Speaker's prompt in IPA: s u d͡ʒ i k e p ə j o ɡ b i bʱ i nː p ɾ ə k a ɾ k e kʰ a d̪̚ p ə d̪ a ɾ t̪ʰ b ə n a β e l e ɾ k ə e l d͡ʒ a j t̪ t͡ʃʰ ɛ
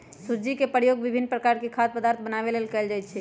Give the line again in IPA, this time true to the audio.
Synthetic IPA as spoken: s u d͡ʒ i k e p ə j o ɡ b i bʱ i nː p ɾ ə k a ɾ k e kʰ a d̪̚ p ə d̪ a ɾ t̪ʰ b ə n a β e l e l k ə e l d͡ʒ a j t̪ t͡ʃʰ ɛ